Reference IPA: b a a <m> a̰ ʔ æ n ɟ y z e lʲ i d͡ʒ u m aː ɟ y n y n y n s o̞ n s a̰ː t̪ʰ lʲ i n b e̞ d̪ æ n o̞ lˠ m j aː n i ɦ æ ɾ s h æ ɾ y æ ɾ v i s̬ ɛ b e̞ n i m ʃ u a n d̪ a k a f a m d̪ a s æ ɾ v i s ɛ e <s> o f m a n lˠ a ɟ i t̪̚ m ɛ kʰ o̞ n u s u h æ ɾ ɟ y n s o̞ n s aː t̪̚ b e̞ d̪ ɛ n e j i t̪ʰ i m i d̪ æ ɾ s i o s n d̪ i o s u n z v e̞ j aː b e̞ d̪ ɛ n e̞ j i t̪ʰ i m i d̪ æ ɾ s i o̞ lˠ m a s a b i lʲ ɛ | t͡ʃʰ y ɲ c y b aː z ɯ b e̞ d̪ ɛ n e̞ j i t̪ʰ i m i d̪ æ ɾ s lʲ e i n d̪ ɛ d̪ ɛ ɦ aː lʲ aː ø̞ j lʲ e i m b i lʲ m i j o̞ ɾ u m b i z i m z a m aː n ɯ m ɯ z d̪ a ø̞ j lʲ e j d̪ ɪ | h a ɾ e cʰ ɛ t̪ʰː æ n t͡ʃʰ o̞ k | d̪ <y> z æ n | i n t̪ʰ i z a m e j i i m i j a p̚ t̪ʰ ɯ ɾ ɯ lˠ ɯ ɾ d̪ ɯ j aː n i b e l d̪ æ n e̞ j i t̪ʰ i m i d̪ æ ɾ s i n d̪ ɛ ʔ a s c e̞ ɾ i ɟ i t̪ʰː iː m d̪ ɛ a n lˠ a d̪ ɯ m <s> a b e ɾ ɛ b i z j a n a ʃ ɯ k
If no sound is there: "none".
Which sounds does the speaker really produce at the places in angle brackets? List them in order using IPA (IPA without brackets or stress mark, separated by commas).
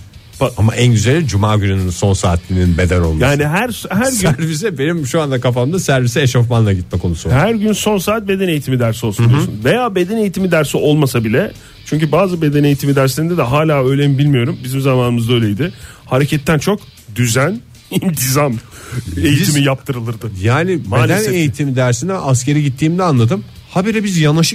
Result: m, ʃ, y, h